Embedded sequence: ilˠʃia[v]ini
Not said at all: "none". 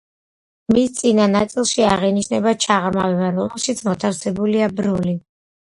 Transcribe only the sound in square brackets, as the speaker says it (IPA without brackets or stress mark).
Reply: ʁ